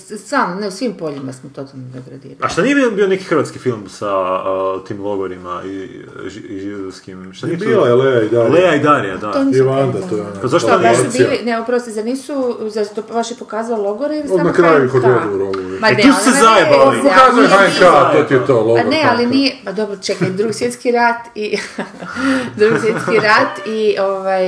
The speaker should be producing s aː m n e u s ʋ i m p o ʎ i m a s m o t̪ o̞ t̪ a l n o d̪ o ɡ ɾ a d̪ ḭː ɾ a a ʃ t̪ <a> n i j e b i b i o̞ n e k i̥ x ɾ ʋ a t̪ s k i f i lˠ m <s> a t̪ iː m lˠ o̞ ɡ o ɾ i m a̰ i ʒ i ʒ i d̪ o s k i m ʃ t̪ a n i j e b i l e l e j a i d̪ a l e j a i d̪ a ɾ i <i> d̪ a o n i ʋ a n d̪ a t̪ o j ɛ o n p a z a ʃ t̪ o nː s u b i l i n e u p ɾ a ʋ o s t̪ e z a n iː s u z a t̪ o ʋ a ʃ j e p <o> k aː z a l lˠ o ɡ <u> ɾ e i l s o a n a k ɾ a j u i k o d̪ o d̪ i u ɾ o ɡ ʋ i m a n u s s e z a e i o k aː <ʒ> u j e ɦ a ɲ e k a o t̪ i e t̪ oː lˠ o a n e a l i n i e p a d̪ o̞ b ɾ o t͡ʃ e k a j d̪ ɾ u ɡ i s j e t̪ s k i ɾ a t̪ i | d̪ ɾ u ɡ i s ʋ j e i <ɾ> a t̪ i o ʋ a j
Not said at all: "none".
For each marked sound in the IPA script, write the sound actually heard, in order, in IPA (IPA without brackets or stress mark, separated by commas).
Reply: a, s, a, o, o, z, ɾ